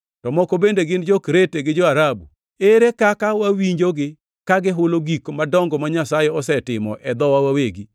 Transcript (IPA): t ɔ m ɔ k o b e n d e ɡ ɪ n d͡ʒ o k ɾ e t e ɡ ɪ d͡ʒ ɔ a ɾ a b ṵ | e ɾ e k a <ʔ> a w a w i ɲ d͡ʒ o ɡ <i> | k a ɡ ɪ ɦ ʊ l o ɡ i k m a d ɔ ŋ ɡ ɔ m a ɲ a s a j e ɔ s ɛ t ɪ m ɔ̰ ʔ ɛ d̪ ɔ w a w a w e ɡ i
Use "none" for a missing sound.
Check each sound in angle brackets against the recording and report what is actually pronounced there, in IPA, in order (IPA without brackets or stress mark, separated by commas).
k, ɪ